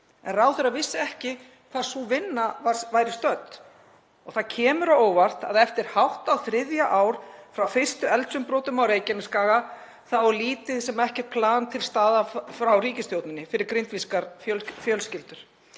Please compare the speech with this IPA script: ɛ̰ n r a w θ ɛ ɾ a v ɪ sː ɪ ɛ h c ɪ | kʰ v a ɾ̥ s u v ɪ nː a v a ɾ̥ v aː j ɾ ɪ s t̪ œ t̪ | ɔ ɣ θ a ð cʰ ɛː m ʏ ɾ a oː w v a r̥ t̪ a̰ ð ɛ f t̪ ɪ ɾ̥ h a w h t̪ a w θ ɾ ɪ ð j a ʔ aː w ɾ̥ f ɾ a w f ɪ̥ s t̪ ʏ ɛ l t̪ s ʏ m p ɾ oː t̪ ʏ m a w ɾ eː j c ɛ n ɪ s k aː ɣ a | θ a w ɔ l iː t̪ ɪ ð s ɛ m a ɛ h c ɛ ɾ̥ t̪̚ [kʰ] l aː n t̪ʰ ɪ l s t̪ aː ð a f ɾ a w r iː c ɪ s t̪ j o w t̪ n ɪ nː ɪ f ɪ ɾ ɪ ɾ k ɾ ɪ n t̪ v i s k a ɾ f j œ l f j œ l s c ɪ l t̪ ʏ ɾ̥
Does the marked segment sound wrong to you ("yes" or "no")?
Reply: yes